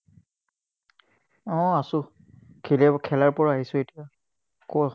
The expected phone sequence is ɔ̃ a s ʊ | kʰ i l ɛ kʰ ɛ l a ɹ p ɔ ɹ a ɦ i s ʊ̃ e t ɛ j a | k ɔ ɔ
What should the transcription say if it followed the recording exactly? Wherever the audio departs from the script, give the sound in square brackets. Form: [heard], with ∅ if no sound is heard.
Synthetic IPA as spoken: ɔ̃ a s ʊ | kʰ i l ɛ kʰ ɛ l a ɹ p ɔ ɹ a ɦ i s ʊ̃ e t [i] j a | k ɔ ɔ